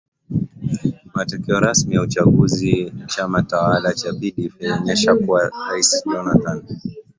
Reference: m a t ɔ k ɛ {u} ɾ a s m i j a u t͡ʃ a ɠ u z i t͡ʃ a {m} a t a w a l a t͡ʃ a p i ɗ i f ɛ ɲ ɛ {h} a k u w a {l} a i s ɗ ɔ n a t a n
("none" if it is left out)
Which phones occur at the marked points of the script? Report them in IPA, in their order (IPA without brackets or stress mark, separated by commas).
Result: ɔ, m, ʃ, ɾ